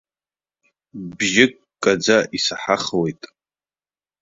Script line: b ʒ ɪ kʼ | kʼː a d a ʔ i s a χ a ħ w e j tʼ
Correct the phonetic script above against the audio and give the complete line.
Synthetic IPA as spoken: b ʒ ɪ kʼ | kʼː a d͡z a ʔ i s a ħ a χ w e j tʼ